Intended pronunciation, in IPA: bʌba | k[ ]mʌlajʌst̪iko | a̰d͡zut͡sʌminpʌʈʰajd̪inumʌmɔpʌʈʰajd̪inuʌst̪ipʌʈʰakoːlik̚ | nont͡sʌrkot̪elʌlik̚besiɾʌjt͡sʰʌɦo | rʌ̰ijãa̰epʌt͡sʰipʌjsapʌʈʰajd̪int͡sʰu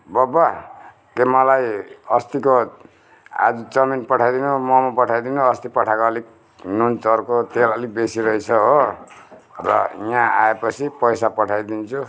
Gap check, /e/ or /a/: e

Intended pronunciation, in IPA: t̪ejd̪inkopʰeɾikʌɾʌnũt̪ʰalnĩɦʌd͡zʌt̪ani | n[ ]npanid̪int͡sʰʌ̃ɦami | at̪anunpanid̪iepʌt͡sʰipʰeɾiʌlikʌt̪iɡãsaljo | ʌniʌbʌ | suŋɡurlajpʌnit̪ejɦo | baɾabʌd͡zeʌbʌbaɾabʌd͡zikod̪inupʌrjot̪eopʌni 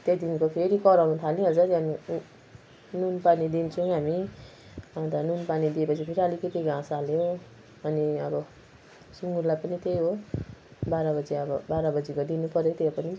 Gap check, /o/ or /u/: u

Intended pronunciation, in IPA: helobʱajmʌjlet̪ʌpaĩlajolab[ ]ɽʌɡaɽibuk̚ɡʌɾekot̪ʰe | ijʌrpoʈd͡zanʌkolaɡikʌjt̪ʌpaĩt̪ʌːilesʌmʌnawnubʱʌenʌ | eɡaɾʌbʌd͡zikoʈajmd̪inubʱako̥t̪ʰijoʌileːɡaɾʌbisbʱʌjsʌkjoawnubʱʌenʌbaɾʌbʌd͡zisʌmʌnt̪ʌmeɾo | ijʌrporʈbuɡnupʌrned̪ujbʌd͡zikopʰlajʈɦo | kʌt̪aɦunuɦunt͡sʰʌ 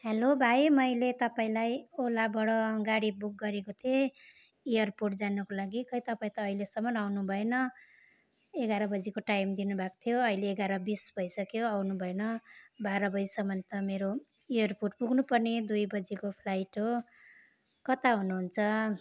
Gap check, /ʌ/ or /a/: ʌ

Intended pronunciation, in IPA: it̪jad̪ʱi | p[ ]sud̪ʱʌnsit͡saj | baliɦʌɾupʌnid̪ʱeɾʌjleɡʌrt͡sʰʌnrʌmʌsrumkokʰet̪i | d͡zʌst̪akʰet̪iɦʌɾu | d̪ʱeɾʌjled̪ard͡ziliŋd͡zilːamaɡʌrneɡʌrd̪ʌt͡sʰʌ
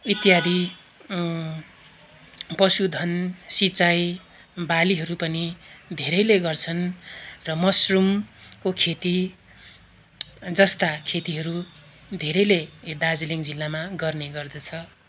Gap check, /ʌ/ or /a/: ʌ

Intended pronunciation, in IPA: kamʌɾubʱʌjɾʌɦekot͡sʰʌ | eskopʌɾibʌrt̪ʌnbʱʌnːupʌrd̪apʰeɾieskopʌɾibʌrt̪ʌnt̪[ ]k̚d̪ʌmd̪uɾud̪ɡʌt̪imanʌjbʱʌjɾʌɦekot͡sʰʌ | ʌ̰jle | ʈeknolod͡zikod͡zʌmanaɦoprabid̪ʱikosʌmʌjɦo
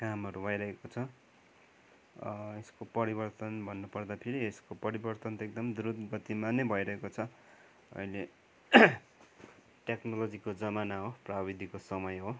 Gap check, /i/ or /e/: e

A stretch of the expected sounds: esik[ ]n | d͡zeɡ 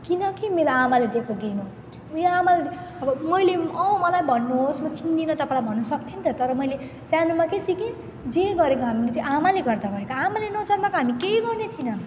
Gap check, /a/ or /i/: i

